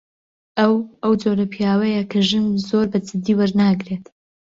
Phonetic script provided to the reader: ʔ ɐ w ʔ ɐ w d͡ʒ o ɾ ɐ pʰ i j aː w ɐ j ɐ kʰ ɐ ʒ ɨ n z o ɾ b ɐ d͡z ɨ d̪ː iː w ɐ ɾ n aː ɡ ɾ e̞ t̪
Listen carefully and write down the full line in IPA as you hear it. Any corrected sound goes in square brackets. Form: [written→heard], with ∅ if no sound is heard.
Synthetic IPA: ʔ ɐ w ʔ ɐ w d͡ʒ o ɾ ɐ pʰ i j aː w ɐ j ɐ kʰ ɐ ʒ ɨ n z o ɾ b ɐ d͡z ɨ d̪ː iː w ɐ ɾ n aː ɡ ɾ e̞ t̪